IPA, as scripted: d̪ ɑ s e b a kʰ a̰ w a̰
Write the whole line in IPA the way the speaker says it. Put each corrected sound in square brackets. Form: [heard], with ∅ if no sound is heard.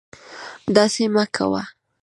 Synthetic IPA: d̪ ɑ s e [m] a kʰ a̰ w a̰

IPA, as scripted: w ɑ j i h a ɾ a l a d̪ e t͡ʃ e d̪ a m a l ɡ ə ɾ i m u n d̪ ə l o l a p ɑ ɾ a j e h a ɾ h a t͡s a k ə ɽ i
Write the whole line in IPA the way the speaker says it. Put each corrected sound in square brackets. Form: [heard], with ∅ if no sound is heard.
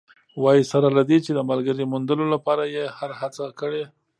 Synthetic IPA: w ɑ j i [s] a ɾ a l a d̪ e t͡ʃ e d̪ [ə] m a l ɡ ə ɾ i m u n d̪ ə l o l a p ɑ ɾ a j e h a ɾ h a t͡s a k ə ɽ [e]

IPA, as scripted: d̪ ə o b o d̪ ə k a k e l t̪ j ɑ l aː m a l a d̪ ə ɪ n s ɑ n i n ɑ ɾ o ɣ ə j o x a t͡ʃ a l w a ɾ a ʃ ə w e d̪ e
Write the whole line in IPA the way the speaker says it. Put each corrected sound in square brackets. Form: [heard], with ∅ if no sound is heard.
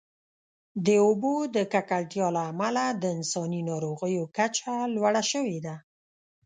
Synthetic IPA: d̪ ə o b o d̪ ə k a k [a] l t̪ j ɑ l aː m a l a d̪ ə ɪ n s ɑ n i n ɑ ɾ o ɣ ə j o [k] a t͡ʃ a l w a [ɽ] a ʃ ə w e d̪ [a]

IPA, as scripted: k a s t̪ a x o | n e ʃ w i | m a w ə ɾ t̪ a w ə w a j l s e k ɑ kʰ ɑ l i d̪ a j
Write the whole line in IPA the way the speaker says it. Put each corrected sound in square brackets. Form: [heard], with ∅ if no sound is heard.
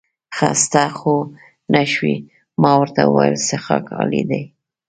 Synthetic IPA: [x] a s t̪ a x o | n [a] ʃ w i | m [ɑ] w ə ɾ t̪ a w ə w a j l s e [x] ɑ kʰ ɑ l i d̪ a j

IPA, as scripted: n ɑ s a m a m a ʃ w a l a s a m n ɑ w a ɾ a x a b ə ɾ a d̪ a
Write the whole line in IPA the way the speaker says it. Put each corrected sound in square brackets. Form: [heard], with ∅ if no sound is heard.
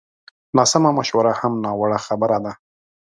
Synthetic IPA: n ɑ s a m a m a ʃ w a [ɾ] a [h] a m n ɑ w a [ɽ] a x a b ə ɾ a d̪ a

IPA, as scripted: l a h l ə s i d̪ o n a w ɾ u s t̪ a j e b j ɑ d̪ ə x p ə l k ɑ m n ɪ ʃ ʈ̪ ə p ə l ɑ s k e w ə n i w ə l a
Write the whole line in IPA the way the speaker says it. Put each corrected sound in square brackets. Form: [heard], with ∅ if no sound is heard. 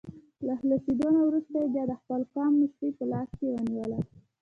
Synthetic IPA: l a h l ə s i d̪ o n a w ɾ u s t̪ a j e b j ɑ d̪ ə x p ə l k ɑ m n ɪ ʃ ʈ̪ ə p ə l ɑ s k e w ə n i w ə l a

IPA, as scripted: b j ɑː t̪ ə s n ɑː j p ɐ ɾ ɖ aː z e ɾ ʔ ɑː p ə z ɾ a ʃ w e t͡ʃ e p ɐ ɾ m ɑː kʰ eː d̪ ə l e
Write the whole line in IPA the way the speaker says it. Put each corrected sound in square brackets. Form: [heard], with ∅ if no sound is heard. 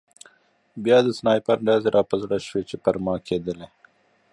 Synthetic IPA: b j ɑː [d̪] ə s n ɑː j p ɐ ɾ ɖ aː z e ɾ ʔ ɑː p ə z [ɽ] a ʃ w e t͡ʃ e p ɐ ɾ m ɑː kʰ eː d̪ ə l e

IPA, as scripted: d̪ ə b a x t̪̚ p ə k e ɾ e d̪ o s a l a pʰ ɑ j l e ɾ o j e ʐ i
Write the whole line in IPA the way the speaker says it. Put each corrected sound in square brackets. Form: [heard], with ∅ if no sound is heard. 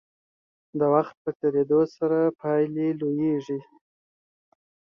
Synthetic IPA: d̪ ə [w] a x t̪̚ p ə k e ɾ e d̪ o s a [ɾ] a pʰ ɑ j l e [l] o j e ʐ i

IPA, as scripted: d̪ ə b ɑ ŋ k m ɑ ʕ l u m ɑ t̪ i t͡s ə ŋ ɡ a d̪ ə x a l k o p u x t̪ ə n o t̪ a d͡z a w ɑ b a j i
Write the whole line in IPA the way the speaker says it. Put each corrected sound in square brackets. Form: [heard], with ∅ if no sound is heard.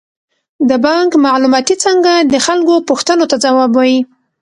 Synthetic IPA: d̪ ə b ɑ ŋ k m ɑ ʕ l u m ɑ t̪ i t͡s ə ŋ ɡ a d̪ ə x a l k o p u x t̪ ə n o t̪ a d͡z a w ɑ b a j i

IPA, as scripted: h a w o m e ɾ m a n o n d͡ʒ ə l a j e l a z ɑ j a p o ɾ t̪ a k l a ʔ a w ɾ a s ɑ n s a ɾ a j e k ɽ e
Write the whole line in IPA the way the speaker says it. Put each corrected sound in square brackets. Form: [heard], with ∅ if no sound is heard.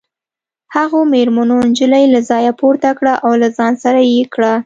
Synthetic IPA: h a [ɣ] o m e ɾ m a n o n d͡ʒ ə l a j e l a z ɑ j a p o ɾ t̪ a k [ɽ] a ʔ a w [l] a [z] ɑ n s a ɾ a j e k ɽ [a]

